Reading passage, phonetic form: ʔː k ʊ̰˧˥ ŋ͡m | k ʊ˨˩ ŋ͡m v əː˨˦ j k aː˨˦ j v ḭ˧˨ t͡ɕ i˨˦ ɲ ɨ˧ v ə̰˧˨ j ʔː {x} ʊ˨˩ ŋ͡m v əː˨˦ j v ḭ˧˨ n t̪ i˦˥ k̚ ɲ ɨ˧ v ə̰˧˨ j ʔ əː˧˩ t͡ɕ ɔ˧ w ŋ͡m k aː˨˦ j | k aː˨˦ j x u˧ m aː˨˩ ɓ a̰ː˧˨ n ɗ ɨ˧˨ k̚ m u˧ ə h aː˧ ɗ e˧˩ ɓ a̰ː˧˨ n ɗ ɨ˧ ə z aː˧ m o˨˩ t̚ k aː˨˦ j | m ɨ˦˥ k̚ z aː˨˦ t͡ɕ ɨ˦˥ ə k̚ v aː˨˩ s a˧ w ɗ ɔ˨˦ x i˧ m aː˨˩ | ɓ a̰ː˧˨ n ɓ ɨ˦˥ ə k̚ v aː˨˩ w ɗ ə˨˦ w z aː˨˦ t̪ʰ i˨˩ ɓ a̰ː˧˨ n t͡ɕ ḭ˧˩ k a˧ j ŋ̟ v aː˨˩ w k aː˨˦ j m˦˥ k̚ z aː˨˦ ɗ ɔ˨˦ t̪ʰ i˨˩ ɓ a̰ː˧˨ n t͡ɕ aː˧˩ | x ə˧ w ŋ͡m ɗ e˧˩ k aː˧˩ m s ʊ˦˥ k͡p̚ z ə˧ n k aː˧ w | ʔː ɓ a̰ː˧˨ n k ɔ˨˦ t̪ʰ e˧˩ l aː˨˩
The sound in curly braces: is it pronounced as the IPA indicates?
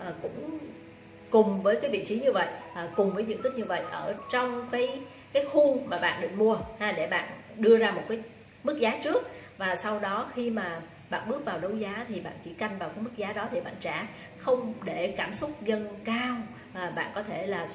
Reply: no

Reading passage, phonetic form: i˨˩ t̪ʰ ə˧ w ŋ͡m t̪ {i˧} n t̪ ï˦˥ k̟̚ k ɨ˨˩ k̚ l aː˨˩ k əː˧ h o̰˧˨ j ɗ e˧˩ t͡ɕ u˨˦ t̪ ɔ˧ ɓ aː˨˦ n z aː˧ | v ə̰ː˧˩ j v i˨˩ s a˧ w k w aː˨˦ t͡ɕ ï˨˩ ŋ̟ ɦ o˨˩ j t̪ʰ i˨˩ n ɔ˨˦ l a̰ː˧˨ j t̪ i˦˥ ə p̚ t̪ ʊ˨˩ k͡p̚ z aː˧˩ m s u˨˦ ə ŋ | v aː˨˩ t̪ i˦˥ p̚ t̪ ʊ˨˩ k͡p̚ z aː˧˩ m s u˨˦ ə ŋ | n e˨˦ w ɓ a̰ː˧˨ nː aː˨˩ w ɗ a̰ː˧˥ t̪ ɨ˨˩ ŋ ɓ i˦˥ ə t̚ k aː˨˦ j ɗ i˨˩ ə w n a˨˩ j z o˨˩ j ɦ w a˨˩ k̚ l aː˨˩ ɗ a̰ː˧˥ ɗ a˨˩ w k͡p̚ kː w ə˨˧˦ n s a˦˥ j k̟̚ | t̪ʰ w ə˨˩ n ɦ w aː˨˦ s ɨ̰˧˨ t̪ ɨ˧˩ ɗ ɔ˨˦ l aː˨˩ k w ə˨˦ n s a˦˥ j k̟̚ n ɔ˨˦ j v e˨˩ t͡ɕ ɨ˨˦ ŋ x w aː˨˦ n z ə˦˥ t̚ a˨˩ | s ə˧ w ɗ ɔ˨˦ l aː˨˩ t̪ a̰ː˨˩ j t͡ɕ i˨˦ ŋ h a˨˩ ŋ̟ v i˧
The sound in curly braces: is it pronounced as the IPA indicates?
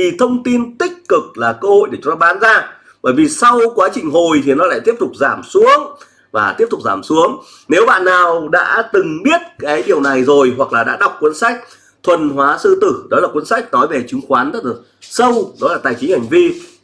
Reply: yes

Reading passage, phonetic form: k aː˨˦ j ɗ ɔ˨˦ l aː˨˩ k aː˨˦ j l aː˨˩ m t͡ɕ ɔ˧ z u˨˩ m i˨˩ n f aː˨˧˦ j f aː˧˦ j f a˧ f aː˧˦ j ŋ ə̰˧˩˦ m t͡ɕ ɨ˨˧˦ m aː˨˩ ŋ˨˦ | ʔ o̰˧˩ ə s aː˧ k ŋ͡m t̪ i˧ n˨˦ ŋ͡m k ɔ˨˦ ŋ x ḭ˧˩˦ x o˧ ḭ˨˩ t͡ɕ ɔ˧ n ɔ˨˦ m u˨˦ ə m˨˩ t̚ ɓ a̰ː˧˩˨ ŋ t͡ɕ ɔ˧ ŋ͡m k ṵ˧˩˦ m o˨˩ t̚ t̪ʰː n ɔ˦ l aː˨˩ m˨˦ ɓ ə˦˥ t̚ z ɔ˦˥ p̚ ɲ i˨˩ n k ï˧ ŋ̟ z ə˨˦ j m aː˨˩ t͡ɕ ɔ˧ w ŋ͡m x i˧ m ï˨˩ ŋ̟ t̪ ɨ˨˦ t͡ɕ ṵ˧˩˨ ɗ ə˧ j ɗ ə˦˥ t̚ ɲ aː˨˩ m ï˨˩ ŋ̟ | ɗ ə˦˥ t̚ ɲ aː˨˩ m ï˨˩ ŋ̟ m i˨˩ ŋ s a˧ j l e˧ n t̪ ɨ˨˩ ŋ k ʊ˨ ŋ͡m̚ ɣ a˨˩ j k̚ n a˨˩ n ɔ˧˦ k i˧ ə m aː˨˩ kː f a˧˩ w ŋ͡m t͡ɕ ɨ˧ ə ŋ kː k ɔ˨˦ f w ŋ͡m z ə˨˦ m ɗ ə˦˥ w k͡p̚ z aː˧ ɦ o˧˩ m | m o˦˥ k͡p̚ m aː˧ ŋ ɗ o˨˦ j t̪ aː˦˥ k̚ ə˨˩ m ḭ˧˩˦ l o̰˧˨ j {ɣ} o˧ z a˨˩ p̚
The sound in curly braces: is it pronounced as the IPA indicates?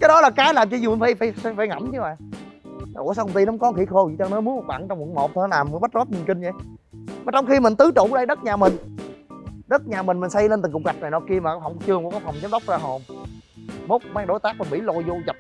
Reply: no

